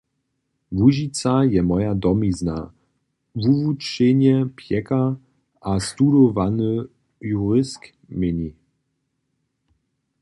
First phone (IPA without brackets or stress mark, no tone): v